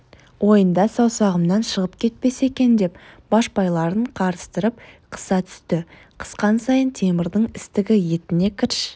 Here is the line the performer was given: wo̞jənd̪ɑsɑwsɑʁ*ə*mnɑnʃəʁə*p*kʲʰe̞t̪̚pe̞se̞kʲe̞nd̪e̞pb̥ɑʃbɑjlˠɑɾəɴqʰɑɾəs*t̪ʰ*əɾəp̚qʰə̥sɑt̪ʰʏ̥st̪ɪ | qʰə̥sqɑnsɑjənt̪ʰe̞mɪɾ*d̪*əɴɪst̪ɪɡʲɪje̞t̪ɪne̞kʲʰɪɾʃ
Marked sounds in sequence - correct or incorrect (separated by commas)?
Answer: correct, correct, incorrect, correct